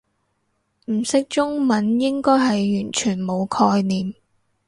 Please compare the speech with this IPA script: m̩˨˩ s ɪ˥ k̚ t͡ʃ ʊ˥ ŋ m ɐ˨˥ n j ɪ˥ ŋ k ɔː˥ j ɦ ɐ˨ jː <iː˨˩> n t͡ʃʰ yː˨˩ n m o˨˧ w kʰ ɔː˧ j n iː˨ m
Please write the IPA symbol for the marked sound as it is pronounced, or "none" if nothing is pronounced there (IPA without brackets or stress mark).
yː˨˩